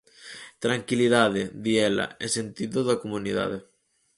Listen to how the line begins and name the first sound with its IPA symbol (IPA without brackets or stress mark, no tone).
t̪